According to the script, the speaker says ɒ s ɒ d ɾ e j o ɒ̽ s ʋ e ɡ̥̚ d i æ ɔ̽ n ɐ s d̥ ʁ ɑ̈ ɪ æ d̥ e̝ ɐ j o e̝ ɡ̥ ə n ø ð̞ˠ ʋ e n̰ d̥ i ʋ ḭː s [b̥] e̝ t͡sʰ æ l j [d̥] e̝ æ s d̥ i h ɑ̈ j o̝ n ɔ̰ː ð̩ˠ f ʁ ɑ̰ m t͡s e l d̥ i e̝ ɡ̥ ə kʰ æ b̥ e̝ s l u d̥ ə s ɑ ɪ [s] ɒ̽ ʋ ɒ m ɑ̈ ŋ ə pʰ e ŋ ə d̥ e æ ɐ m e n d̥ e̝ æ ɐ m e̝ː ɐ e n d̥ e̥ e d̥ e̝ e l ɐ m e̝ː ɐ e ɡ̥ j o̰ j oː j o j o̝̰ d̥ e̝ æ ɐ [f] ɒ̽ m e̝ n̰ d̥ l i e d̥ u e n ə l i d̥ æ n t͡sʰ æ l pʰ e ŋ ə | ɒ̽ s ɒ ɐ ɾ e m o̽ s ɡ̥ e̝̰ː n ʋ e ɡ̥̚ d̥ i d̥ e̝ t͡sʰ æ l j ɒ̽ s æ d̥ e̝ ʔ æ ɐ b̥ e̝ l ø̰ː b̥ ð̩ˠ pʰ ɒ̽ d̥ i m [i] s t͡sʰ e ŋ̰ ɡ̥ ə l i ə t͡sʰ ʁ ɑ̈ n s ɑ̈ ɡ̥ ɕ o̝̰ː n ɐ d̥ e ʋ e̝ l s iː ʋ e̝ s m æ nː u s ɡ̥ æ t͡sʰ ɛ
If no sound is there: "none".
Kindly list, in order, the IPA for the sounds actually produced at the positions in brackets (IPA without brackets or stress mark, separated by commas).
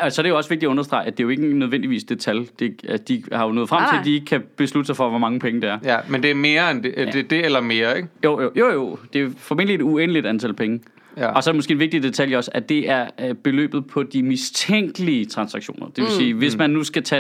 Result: d̥, d̥, f, f, i